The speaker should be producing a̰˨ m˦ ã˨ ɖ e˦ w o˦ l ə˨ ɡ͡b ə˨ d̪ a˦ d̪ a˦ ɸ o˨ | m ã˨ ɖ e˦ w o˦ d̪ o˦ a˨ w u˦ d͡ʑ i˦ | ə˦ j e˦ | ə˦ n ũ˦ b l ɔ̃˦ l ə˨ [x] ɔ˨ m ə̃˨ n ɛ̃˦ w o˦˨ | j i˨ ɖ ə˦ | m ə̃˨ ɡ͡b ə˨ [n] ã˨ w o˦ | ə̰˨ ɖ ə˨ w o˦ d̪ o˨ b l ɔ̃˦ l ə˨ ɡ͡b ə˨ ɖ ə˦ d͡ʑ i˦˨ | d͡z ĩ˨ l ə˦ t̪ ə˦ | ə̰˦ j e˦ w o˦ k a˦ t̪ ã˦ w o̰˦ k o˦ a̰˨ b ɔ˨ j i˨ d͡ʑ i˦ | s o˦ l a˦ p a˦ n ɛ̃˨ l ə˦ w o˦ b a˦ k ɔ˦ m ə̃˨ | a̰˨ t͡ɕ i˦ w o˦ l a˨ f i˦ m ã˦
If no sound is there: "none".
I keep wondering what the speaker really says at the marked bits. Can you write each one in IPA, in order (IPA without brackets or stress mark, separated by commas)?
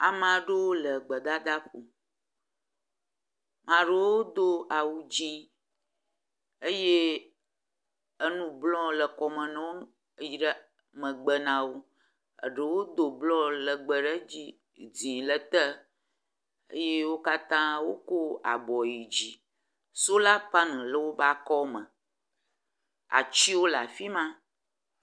k, n